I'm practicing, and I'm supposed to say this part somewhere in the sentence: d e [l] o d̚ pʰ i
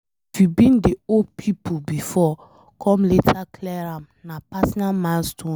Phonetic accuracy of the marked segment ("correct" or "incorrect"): incorrect